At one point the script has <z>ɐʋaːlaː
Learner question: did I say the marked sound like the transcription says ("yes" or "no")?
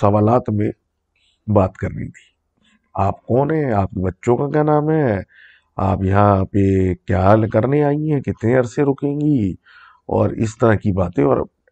no